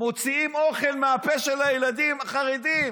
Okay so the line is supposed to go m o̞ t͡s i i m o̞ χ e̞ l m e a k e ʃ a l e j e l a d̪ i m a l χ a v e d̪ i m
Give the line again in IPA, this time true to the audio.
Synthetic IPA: m o̞ t͡s i i m o̞ χ e̞ l m e a p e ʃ e l a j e l a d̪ i m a χ a ʁ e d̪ i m